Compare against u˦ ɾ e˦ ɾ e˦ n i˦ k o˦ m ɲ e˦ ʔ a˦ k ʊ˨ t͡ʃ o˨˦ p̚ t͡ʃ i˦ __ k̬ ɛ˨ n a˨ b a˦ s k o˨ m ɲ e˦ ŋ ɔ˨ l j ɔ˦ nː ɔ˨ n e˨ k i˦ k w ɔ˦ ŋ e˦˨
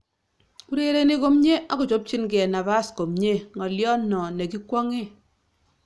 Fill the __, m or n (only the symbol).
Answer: n